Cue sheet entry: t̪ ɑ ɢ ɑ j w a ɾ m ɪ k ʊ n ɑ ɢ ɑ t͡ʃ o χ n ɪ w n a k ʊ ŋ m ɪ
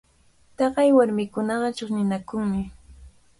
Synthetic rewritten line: t̪ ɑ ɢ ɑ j w a ɾ m ɪ k ʊ n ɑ ɢ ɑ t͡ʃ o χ n ɪ n a k ʊ ŋ m ɪ